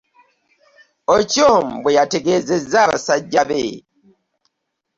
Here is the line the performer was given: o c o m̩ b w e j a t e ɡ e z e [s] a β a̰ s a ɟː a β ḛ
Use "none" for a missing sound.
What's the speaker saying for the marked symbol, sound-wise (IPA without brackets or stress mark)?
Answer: z